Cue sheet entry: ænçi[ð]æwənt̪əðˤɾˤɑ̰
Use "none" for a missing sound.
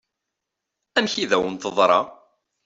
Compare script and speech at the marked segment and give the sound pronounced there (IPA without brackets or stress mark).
ð